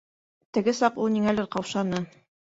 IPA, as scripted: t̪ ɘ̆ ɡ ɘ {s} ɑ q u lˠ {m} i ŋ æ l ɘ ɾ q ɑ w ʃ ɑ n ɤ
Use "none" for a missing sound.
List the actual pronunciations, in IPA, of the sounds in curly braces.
s, n

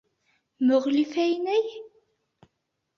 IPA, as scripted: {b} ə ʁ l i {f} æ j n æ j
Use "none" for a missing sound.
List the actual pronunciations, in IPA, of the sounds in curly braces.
m, f

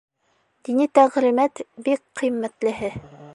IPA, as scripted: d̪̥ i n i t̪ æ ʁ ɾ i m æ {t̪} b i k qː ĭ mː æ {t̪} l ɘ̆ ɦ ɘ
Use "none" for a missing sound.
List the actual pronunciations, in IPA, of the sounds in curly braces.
t̪, t̪

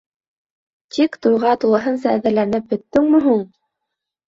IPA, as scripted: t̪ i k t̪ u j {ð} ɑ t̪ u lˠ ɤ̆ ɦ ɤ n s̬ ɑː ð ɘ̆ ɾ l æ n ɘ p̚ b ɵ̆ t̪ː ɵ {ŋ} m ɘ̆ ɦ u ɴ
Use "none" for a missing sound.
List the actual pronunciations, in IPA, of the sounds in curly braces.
ʁ, ŋ

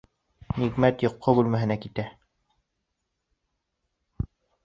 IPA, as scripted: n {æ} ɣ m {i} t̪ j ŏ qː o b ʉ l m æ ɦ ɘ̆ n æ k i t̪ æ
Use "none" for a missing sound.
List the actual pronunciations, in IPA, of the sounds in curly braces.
i, æ

